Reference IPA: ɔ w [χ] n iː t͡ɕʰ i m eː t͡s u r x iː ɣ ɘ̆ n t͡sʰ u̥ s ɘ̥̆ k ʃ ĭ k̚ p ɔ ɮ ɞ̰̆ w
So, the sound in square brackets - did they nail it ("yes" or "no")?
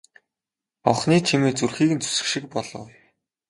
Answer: yes